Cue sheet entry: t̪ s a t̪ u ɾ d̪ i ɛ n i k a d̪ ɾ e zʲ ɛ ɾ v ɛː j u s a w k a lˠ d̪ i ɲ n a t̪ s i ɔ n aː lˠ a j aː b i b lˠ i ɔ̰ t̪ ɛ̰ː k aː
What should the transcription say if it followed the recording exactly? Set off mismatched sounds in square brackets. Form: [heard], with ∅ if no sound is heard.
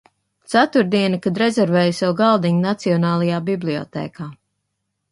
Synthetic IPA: t̪ s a t̪ u ɾ d̪ i ɛ n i k a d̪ ɾ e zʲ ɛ ɾ v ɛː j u s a w [ɡ] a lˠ d̪ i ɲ n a t̪ s i ɔ n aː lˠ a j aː b i b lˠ i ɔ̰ t̪ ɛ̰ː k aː